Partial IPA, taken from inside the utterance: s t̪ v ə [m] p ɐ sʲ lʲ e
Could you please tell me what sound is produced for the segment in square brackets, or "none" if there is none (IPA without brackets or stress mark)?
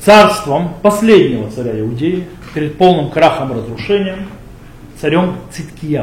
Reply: m